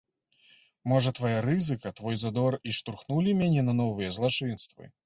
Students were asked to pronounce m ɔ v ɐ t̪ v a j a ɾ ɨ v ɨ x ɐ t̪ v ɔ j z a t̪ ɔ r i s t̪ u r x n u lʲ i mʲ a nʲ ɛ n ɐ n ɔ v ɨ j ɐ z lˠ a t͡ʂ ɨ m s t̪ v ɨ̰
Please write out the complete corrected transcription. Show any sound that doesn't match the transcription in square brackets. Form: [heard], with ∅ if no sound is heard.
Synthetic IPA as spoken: m ɔ [ʐ] ɐ t̪ v a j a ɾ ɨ [z] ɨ [k] ɐ t̪ v ɔ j z a [d̪] ɔ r i [ʂ] t̪ u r x n u lʲ i mʲ a nʲ ɛ n ɐ n ɔ v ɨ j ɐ z lˠ a t͡ʂ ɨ [n] s t̪ v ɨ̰